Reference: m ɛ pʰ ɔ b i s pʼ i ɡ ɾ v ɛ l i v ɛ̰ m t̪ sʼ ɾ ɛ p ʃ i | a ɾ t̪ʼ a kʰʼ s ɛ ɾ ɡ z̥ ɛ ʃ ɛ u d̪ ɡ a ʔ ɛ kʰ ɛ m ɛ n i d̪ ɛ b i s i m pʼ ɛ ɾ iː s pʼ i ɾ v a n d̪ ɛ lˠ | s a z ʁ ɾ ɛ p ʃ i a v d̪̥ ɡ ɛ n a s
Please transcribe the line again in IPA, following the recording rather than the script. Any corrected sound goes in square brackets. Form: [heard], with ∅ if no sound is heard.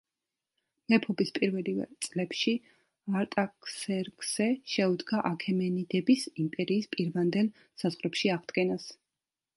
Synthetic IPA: m ɛ pʰ ɔ b i s pʼ i [∅] ɾ v ɛ l i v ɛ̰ [∅] t̪ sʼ [l] ɛ p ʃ i | a ɾ t̪ʼ a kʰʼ s ɛ ɾ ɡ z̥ ɛ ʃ ɛ u d̪ ɡ a ʔ [a] kʰ ɛ m ɛ n i d̪ ɛ b i s i m pʼ ɛ ɾ iː s pʼ i ɾ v a n d̪ ɛ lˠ | s a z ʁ ɾ ɛ p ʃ i a [ʁ] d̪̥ ɡ ɛ n a s